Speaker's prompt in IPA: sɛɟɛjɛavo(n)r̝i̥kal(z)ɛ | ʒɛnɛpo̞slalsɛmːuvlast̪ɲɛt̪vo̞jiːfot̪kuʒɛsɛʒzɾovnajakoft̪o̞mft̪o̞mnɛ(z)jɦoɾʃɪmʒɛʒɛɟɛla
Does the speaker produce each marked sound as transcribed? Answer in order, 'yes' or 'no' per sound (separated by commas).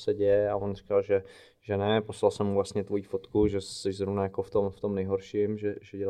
yes, no, no